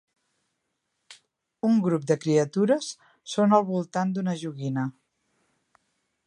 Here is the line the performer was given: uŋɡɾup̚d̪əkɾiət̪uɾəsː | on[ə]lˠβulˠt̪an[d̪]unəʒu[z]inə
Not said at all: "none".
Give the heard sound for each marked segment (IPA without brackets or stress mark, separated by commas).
ə, d̪, ɣ